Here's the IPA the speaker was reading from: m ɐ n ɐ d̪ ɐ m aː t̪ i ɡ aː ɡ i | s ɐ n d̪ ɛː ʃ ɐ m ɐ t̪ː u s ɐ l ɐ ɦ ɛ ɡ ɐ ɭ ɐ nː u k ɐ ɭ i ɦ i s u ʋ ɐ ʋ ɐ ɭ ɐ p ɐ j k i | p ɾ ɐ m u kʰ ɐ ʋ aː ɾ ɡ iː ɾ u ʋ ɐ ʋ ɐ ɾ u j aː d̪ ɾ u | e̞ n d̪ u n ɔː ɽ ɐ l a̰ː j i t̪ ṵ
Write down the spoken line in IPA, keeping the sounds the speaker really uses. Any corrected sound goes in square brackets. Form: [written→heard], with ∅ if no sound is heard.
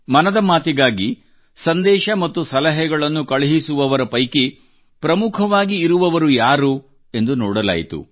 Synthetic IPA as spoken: m ɐ n ɐ d̪ ɐ m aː t̪ i ɡ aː ɡ i | s ɐ n d̪ ɛː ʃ ɐ m ɐ t̪ː u s ɐ l ɐ ɦ ɛ ɡ ɐ ɭ ɐ nː u k ɐ ɭ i ɦ i s u ʋ ɐ ʋ ɐ [ɭ→ɾ] ɐ p ɐ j k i | p ɾ ɐ m u kʰ ɐ ʋ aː [ɾ→∅] ɡ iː ɾ u ʋ ɐ ʋ ɐ ɾ u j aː [d̪→∅] ɾ u | e̞ n d̪ u n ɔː ɽ ɐ l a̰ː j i t̪ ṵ